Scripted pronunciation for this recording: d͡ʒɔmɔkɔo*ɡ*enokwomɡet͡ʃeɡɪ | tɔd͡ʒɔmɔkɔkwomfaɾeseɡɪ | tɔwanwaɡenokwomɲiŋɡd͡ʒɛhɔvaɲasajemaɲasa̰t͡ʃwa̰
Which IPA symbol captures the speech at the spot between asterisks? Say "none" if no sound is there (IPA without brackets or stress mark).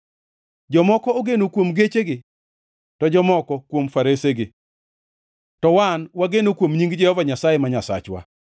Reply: ɡ